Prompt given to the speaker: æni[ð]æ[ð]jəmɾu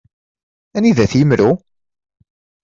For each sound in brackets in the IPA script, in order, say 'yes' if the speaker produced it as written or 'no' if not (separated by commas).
yes, no